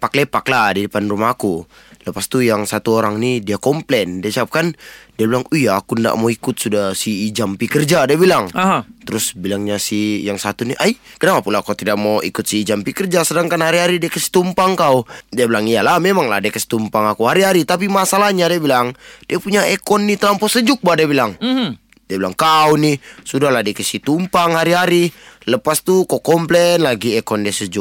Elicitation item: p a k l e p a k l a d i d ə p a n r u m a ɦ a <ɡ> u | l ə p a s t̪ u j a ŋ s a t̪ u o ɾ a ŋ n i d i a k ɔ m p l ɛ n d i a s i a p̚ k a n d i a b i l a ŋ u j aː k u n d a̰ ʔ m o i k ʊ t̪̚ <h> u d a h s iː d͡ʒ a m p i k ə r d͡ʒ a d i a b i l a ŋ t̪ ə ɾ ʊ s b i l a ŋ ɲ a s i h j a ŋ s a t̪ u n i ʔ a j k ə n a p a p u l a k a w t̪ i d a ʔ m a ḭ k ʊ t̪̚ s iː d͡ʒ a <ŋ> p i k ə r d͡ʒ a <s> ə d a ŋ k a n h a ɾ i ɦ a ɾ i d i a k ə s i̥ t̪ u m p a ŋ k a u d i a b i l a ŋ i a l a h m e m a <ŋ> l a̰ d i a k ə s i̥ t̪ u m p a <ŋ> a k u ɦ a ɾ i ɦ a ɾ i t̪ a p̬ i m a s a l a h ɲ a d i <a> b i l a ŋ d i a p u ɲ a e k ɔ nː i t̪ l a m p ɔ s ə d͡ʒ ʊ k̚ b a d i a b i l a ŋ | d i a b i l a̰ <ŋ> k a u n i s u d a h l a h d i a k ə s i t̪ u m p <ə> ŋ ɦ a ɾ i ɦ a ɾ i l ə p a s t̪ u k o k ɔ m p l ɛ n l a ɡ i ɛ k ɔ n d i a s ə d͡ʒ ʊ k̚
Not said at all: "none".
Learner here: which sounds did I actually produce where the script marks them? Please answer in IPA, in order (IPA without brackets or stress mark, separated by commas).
k, s, m, s, ŋ, ŋ, a, ŋ, a